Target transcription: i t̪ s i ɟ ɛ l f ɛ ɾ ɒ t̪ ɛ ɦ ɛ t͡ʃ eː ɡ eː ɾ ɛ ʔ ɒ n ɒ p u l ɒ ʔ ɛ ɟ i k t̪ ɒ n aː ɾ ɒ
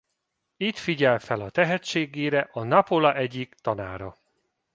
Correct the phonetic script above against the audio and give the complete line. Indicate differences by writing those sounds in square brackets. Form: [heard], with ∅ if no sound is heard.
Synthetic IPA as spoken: i t̪ [f] i ɟ ɛ l f ɛ [l] ɒ t̪ ɛ ɦ ɛ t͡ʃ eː ɡ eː ɾ ɛ ʔ ɒ n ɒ p [o] l ɒ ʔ ɛ ɟ i k t̪ ɒ n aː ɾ ɒ

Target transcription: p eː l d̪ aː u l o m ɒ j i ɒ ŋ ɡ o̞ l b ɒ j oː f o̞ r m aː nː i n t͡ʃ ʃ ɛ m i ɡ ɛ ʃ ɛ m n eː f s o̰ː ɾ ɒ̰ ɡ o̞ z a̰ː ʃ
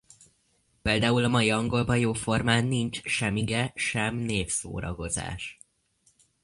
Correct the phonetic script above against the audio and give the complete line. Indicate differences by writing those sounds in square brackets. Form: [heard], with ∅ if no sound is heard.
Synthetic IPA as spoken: p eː l d̪ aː u l [ɒ] m ɒ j i ɒ ŋ ɡ o̞ l b ɒ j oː f o̞ r m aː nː i n t͡ʃ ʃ ɛ m i ɡ ɛ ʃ ɛ m n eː f s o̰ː ɾ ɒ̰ ɡ o̞ z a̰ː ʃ

